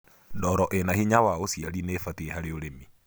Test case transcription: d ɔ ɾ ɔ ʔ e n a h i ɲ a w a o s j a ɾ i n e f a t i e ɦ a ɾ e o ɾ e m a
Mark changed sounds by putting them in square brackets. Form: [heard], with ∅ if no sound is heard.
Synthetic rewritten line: d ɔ ɾ ɔ ʔ e n a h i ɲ a w a o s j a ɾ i n e f a t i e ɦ a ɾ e o ɾ e m [i]